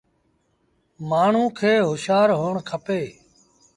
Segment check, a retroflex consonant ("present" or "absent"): present